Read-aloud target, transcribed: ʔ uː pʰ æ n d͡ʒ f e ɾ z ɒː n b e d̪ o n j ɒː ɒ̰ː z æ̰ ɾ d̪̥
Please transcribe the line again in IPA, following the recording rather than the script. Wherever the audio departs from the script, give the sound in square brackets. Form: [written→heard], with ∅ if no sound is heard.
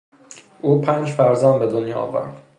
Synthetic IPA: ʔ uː pʰ æ n d͡ʒ f [e→æ] ɾ z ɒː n b e d̪ o n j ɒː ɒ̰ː [z→v] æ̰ ɾ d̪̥